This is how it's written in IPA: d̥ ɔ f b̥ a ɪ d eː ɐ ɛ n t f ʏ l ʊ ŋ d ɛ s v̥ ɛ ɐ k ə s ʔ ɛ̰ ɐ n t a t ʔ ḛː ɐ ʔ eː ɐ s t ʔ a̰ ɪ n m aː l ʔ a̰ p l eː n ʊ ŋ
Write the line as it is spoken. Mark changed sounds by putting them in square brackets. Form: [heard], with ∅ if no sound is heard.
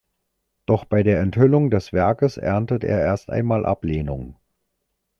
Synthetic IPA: d̥ ɔ [χ] b̥ a ɪ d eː ɐ ɛ n t [h] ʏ l ʊ ŋ d ɛ s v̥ ɛ ɐ k ə s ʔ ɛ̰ ɐ n t [ə] t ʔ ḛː ɐ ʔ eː ɐ s t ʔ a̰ ɪ n m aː l ʔ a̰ p l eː n ʊ ŋ